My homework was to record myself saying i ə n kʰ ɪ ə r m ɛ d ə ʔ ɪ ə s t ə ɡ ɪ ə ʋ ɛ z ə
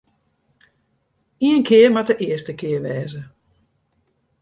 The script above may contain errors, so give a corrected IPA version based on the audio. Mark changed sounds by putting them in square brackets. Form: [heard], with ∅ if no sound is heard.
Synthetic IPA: i ə n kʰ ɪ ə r m [a] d ə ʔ ɪ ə s t ə [k] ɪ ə ʋ [ɛː] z ə